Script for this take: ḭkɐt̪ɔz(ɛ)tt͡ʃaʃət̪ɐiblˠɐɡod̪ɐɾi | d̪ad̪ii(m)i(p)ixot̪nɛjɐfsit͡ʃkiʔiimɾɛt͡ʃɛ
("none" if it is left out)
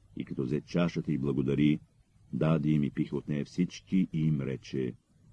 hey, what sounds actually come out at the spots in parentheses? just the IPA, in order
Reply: ɛ, m, p

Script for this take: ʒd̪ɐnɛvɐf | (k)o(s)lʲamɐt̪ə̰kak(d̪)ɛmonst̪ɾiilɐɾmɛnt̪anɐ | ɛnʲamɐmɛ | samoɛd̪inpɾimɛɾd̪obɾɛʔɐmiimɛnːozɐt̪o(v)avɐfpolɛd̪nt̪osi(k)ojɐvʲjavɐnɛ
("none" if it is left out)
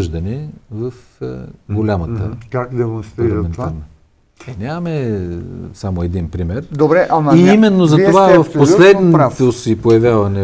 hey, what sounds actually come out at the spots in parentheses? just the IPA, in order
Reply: ɡ, none, d̪, v, p

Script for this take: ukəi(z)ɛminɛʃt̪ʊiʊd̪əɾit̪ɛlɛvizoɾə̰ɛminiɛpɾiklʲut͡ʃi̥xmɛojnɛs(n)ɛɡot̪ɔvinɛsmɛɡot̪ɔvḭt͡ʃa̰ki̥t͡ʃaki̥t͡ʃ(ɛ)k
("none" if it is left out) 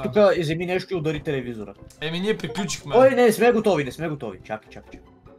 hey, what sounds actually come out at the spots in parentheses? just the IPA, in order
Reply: z, m, a

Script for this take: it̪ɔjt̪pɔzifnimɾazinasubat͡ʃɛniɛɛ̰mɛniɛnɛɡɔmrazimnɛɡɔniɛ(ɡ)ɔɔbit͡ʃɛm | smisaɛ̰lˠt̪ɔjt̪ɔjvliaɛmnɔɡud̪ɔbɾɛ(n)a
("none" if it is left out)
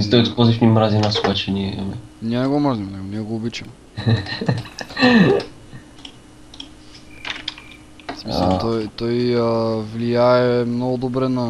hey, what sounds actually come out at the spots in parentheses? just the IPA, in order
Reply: ɡ, n

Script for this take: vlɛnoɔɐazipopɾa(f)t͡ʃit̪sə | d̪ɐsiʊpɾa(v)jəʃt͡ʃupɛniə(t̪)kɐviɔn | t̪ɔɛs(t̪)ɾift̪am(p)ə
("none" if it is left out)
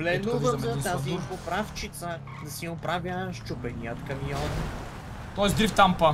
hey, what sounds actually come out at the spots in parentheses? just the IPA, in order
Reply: f, v, t̪, d̪, p

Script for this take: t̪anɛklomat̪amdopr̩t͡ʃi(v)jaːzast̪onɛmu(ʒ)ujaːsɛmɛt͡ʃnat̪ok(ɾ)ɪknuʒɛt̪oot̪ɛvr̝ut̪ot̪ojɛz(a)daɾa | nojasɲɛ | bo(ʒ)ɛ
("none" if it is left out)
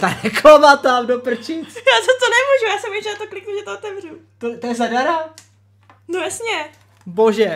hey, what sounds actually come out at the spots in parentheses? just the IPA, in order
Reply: none, ʒ, l, a, ʒ

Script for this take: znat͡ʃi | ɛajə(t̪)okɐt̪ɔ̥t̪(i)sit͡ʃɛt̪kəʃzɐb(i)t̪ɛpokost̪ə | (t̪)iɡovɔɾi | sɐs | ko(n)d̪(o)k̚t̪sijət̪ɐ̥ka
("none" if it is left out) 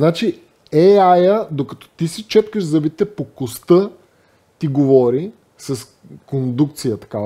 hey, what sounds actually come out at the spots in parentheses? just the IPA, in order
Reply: d̪, i, i, t̪, n, u

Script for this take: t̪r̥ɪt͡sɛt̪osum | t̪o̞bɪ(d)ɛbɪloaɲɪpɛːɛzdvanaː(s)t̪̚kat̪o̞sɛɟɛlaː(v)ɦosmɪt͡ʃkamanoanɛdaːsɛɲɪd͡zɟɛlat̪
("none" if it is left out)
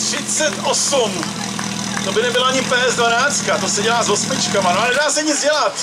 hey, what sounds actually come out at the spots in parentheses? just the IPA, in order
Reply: n, t͡s, z

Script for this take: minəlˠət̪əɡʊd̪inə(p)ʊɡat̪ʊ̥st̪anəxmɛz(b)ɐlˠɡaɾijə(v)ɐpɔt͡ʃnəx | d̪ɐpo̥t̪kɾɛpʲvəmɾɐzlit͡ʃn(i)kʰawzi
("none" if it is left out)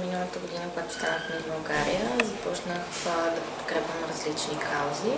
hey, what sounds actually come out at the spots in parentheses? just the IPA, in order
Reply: k, b, z, i

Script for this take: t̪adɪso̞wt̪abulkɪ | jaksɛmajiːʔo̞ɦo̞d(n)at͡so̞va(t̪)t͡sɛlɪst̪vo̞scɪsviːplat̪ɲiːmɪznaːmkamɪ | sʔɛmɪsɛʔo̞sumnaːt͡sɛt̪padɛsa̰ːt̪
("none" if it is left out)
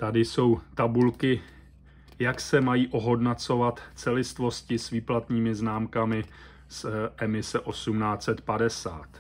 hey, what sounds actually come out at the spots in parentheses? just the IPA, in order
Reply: n, t̪

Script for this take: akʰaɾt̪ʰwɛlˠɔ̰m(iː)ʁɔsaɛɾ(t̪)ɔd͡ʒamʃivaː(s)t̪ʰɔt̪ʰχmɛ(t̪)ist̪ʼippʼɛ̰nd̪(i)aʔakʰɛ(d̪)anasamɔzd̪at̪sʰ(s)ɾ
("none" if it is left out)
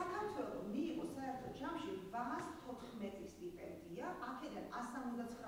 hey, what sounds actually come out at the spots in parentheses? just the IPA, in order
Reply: iː, t̪ʰ, s, t̪ʼ, i, d̪, χ

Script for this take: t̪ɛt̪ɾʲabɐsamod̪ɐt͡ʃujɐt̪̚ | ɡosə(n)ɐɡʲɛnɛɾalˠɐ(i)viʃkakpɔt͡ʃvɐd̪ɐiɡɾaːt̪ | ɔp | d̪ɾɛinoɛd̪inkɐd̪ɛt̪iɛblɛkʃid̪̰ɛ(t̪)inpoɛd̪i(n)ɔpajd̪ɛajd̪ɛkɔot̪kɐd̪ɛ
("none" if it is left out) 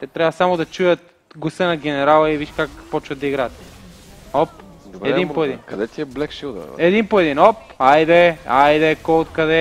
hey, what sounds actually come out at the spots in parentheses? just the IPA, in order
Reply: n, i, d̪, n

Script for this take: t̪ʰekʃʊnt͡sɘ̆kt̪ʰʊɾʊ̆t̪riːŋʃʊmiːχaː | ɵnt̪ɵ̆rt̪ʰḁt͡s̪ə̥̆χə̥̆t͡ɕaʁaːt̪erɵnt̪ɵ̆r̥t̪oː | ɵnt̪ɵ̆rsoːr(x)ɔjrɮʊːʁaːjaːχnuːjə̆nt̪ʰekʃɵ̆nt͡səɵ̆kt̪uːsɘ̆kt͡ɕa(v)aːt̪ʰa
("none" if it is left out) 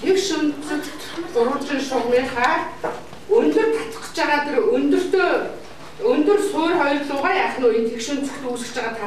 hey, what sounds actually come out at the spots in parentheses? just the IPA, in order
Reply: χ, ʁ

